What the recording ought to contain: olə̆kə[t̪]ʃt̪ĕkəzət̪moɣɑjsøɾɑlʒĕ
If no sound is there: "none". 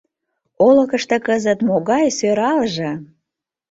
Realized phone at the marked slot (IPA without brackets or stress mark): none